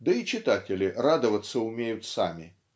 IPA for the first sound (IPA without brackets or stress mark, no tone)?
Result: d̪